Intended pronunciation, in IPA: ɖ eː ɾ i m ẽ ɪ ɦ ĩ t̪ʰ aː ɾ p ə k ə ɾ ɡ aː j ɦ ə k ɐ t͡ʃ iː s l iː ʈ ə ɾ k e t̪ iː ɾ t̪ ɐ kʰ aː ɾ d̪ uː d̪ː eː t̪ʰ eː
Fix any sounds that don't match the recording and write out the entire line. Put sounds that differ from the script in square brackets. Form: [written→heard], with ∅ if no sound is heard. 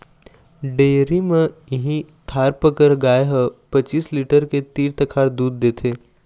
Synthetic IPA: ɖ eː ɾ i m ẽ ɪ ɦ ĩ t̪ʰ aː ɾ p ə k ə ɾ ɡ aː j ɦ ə [k→p] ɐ t͡ʃ iː s l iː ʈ ə ɾ k e t̪ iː ɾ t̪ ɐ kʰ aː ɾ d̪ uː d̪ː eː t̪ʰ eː